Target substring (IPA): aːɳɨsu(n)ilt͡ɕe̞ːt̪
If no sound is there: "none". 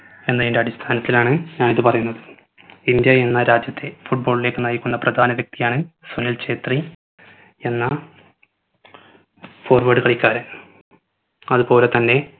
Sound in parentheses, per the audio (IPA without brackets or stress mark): n